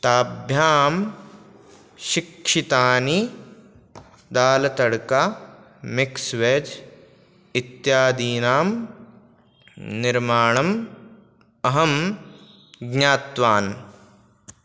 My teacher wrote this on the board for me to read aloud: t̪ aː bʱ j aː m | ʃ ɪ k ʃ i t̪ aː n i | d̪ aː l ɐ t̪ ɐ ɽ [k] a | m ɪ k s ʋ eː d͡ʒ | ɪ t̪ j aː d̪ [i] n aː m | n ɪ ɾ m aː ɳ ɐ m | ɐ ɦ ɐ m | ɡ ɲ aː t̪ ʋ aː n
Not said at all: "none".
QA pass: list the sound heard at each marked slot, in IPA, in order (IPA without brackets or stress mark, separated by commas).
k, iː